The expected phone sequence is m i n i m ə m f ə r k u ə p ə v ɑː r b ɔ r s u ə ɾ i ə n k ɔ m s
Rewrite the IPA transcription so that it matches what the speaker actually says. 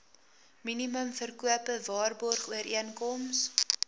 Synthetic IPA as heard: m i n i m ə m f ə r k u ə p ə v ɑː r b ɔ r χ u ə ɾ i ə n k ɔ m s